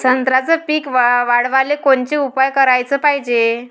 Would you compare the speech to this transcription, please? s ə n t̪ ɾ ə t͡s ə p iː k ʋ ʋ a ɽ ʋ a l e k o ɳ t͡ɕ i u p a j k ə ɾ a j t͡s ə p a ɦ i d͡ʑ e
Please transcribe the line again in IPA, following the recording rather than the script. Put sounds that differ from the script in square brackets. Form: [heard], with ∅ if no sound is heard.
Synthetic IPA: s ə n t̪ ɾ [a] t͡s ə p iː k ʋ ʋ a ɽ ʋ a l e k o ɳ t͡ɕ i u p a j k ə ɾ a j t͡s ə p a ɦ i d͡ʑ e